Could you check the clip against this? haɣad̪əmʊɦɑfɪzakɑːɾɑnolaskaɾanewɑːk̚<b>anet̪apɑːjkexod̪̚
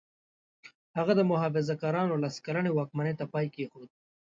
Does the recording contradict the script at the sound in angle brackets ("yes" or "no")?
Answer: yes